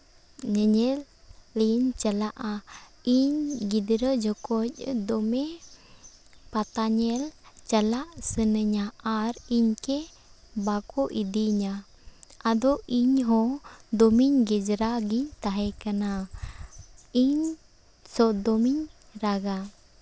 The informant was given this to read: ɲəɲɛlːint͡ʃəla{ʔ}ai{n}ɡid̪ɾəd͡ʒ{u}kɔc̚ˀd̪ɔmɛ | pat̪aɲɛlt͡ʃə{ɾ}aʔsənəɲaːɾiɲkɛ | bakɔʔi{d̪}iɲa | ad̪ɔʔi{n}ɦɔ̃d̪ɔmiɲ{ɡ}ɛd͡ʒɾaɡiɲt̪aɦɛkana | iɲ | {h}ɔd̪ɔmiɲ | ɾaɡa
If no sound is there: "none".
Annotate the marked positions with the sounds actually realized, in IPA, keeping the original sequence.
ʔ, ɲ, ɔ, l, d̪, ɲ, ɡ, s

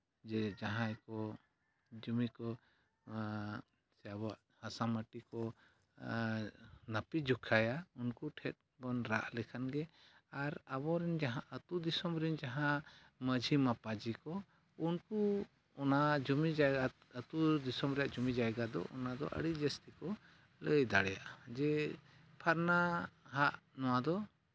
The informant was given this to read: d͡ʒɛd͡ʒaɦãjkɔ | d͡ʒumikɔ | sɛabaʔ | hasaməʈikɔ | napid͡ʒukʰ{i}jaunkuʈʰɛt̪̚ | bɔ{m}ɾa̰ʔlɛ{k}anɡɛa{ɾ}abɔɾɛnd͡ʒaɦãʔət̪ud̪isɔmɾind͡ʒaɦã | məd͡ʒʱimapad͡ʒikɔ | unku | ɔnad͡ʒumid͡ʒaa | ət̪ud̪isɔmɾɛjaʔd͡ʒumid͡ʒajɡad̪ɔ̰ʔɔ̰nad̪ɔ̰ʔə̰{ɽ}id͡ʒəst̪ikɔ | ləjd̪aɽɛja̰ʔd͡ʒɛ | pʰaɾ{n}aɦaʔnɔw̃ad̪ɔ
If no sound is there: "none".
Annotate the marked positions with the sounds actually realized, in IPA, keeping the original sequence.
a, n, kʰ, ɾ, ɽ, n

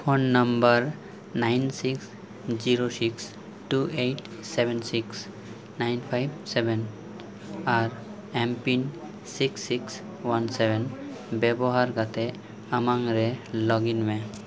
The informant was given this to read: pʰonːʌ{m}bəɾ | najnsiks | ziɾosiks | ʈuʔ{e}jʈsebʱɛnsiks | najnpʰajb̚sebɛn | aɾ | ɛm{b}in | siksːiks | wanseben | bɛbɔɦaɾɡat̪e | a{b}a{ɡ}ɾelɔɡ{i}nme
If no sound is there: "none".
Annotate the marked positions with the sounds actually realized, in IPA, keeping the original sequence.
m, e, p, m, ŋ, i

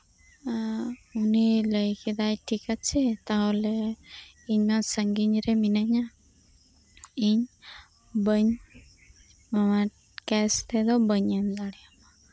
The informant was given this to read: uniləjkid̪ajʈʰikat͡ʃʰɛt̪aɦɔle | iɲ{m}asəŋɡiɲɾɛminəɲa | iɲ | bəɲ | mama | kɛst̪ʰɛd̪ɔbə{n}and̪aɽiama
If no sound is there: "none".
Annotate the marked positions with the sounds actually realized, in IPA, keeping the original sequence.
m, ɲ

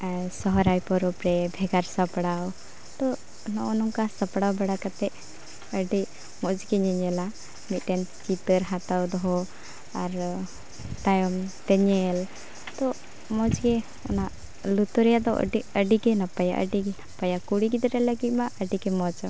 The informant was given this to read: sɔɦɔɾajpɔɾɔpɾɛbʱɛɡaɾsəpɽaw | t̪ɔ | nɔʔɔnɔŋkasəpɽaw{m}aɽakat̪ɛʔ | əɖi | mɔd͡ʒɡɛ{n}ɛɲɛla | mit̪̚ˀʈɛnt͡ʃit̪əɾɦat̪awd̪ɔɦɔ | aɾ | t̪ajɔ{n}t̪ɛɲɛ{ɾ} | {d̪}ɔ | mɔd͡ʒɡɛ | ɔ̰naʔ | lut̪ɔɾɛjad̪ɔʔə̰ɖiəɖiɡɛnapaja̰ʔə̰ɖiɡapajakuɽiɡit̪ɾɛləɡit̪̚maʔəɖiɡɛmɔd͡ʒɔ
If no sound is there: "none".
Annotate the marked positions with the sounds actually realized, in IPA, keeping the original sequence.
b, ɲ, m, l, t̪

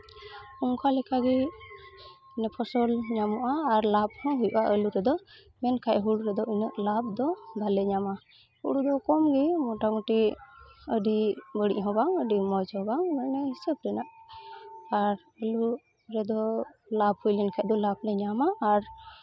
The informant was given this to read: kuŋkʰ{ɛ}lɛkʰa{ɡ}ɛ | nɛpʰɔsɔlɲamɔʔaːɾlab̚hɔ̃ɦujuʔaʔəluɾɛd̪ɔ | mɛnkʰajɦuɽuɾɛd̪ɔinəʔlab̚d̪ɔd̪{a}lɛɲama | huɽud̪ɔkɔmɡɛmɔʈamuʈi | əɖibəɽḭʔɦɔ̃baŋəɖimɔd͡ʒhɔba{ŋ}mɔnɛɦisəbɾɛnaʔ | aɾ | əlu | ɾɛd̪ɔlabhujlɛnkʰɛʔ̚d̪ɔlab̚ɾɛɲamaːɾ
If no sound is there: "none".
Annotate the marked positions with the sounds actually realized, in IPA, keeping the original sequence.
a, ɡ, a, ŋ

